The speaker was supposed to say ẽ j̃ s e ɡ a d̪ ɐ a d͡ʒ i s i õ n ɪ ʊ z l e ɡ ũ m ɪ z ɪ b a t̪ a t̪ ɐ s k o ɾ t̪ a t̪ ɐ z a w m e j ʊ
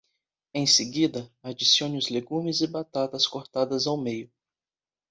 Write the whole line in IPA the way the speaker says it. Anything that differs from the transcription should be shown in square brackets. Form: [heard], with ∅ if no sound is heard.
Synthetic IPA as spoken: ẽ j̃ s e ɡ [i] d̪ ɐ a d͡ʒ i s i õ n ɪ ʊ z l e ɡ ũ m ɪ z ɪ b a t̪ a t̪ ɐ s k o ɾ t̪ a [d̪] ɐ z a w m e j ʊ